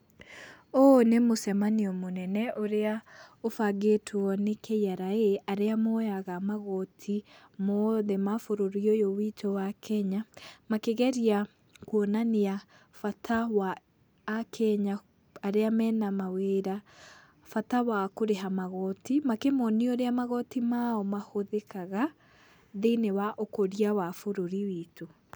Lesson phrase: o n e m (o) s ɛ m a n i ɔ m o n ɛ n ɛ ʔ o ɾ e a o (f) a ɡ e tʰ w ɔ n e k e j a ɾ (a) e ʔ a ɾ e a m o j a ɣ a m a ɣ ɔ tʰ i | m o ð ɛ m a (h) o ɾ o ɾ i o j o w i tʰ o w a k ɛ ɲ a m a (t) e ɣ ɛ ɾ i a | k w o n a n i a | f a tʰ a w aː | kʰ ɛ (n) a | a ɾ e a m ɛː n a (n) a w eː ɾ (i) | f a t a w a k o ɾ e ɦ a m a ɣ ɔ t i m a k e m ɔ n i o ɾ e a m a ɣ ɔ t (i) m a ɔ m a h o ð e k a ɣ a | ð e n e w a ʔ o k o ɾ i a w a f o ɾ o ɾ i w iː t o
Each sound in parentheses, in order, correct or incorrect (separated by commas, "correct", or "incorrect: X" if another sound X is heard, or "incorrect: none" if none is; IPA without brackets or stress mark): correct, correct, correct, incorrect: f, incorrect: k, incorrect: ɲ, incorrect: m, incorrect: a, correct